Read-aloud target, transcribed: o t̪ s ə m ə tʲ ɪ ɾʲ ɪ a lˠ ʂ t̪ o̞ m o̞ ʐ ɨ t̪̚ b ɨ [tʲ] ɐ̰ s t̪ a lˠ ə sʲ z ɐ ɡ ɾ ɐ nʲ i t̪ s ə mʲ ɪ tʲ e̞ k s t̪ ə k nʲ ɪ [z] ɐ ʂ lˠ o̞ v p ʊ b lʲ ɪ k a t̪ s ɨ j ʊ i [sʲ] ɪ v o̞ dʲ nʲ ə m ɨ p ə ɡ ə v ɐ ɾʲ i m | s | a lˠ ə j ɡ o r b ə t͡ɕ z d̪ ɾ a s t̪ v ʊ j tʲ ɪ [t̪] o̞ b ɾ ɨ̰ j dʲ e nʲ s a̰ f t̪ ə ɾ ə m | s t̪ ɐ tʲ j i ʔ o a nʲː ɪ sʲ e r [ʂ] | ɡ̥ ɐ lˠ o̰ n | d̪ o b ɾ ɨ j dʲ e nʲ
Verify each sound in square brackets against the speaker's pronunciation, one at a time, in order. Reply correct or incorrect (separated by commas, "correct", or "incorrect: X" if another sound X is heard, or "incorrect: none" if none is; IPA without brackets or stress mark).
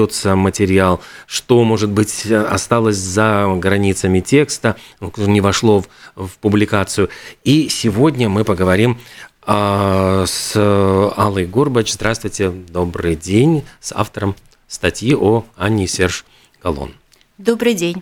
correct, incorrect: v, correct, incorrect: d̪, correct